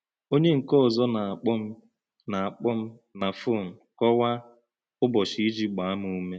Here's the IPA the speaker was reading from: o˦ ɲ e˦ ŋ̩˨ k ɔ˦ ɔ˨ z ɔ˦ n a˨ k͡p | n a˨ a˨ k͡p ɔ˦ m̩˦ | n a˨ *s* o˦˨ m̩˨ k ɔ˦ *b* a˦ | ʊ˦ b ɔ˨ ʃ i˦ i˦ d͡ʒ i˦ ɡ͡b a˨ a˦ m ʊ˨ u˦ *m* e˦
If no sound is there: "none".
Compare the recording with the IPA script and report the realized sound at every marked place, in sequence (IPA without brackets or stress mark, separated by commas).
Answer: f, w, m